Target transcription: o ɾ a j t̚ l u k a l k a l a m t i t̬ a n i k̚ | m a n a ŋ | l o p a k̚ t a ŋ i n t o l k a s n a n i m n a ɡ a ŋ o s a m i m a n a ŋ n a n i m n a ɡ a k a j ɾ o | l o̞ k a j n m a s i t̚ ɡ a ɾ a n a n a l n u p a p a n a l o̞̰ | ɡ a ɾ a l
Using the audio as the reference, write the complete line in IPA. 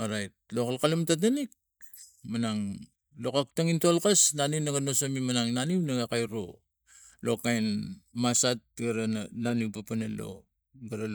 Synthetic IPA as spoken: o ɾ a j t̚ l o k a l k a l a m t a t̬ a n i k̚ | m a n a ŋ | l o k a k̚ t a ŋ i n t o l k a s n a n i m n a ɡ a n o s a m i m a n a ŋ n a n i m n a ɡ a k a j ɾ o | l o̞ k a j n m a s a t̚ ɡ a ɾ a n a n a n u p a p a n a l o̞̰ | ɡ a ɾ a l